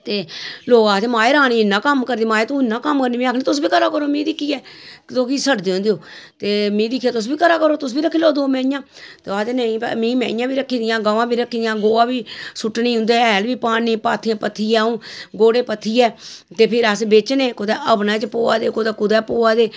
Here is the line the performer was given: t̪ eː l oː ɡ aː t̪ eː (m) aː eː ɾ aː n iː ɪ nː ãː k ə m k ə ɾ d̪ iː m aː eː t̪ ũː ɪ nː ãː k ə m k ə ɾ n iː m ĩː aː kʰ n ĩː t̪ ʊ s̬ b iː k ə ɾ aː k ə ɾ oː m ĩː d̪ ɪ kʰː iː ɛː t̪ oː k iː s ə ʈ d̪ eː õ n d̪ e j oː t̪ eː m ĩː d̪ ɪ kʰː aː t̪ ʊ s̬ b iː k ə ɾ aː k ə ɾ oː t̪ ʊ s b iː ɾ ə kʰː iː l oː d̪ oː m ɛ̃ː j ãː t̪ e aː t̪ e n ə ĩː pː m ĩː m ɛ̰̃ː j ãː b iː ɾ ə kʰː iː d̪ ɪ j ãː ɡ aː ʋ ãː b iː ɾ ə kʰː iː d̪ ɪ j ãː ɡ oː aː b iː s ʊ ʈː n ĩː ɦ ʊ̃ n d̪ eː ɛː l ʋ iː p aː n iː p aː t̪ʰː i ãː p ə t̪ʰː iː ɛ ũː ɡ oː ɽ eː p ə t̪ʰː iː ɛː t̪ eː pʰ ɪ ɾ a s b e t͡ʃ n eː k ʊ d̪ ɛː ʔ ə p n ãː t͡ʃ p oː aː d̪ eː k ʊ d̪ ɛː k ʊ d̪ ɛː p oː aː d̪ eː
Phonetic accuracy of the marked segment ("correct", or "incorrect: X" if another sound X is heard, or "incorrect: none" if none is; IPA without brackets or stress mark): correct